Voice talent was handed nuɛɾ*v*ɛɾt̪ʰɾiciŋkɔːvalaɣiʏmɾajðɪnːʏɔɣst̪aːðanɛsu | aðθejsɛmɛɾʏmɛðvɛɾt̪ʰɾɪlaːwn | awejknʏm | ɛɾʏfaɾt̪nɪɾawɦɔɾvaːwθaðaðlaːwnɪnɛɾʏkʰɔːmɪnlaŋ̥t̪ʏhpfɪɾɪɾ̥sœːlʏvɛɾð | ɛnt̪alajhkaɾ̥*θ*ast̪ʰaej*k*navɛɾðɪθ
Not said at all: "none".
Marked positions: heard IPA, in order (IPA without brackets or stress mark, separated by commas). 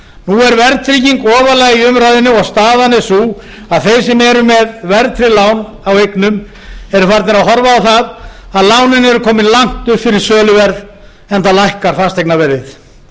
v, f, k